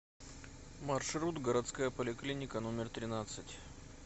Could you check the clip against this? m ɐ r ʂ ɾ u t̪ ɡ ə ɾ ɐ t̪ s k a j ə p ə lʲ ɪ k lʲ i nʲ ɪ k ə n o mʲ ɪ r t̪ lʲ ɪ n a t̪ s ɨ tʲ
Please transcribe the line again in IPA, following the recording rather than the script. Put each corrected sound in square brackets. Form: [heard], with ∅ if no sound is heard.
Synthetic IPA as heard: m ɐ r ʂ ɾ u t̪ ɡ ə ɾ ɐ t̪ s k a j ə p ə lʲ ɪ k lʲ i nʲ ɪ k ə n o mʲ ɪ r t̪ [ɾʲ] ɪ n a t̪ s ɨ tʲ

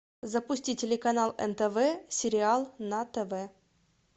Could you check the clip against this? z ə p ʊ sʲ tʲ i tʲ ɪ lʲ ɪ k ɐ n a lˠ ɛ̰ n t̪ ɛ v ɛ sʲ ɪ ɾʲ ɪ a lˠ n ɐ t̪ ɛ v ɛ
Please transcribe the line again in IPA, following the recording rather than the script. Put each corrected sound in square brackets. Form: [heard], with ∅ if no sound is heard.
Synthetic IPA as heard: z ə p ʊ sʲ tʲ i tʲ ɪ lʲ ɪ k ɐ n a lˠ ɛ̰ n t̪ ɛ v ɛ sʲ ɪ ɾʲ ɪ a lˠ n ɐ t̪ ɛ v ɛ

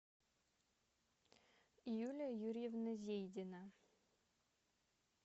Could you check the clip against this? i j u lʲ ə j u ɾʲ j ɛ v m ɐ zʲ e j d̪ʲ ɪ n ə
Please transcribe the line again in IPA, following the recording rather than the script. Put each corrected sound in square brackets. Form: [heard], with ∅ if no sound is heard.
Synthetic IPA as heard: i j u lʲ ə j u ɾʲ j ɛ v [n] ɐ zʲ e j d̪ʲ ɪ n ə

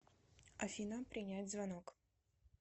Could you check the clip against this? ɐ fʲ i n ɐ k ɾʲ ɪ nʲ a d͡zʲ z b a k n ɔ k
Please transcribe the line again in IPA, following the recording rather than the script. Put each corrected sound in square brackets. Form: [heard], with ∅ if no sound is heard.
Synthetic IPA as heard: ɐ fʲ i n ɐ [p] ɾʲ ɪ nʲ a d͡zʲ z [v] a [∅] n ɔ k

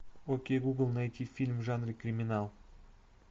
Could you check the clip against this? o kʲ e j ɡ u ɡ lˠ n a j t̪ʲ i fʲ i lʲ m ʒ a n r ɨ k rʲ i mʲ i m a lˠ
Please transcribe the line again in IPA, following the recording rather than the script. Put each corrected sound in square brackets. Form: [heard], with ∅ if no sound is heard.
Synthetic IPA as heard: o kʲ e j ɡ u ɡ lˠ n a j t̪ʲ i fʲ i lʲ m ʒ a n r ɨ k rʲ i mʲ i [n] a lˠ

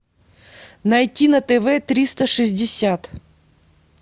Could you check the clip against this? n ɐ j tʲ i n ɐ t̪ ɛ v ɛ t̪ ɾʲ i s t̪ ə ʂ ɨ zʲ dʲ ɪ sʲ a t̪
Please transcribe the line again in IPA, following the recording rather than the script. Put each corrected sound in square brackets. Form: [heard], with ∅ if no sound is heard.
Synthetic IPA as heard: n ɐ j tʲ i n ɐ t̪ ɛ v ɛ t̪ ɾʲ i s t̪ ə ʂ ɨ zʲ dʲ ɪ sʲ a t̪

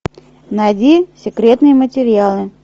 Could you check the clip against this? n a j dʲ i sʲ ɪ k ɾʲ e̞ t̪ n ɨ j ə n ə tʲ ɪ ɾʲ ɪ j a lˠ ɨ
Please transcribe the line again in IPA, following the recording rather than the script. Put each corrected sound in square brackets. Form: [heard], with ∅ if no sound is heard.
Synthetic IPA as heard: n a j dʲ i sʲ ɪ k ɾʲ e̞ t̪ n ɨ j ə [m] ə tʲ ɪ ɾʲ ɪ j a lˠ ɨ

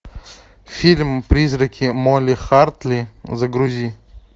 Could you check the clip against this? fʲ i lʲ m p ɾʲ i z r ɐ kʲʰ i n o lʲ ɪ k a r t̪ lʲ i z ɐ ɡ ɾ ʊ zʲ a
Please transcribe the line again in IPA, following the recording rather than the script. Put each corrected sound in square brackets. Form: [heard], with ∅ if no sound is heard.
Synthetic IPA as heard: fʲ i lʲ m p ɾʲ i z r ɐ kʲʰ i [m] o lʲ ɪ [x] a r t̪ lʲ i z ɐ ɡ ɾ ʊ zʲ [i]

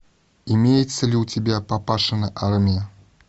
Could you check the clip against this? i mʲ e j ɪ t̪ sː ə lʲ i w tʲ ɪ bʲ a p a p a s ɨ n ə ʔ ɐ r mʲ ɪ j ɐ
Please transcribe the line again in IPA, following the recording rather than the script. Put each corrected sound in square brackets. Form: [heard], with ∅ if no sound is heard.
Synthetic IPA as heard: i mʲ e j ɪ t̪ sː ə lʲ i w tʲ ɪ bʲ a p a p a [ʂ] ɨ n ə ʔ [a] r mʲ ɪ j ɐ

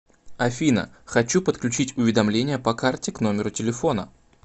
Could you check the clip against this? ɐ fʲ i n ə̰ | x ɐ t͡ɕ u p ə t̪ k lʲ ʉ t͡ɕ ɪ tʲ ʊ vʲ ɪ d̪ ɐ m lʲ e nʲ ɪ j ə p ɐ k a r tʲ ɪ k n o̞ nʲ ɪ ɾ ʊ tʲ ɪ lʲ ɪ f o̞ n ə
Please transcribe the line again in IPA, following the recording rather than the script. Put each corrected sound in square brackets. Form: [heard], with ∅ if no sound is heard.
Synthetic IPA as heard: ɐ fʲ i n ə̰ | x ɐ t͡ɕ u p ə t̪ k lʲ ʉ t͡ɕ [i] tʲ ʊ vʲ ɪ d̪ ɐ m lʲ e nʲ ɪ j ə p ɐ k a r tʲ ɪ k n o̞ [mʲ] ɪ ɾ ʊ tʲ ɪ lʲ ɪ f o̞ n ə

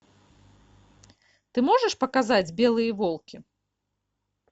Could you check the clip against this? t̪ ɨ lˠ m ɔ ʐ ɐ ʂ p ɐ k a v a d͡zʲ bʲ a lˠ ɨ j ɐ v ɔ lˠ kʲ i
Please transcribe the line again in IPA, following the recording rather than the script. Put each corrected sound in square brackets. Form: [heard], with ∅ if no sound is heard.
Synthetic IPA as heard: t̪ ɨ [∅] m ɔ ʐ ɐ ʂ p ɐ k a [z] a d͡zʲ bʲ [ɛ] lˠ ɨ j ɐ v ɔ lˠ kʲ i

